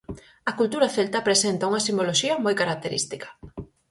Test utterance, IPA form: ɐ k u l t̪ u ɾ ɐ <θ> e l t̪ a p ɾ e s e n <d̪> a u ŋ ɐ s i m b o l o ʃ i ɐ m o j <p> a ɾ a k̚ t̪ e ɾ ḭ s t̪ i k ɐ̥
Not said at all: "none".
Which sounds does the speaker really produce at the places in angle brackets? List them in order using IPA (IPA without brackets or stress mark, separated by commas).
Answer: θ, t̪, k